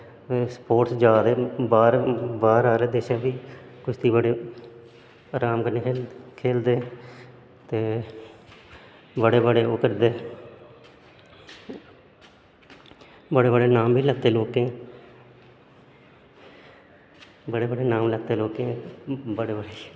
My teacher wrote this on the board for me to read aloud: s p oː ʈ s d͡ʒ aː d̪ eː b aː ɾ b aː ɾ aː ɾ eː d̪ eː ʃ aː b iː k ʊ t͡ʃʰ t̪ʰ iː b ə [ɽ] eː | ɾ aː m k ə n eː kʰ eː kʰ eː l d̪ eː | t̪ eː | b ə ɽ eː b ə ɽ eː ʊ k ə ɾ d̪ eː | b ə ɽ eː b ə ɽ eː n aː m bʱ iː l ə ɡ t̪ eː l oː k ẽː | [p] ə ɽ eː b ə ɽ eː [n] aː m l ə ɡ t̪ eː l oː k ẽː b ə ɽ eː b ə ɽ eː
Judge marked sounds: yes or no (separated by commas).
yes, no, yes